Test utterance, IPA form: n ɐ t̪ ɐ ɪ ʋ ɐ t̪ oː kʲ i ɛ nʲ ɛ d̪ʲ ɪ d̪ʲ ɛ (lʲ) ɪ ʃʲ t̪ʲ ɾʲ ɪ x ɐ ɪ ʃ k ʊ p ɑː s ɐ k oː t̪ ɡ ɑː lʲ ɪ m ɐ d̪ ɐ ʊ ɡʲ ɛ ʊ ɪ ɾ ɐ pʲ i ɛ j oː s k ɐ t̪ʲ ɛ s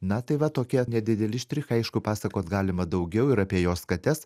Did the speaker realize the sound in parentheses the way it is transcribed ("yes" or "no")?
yes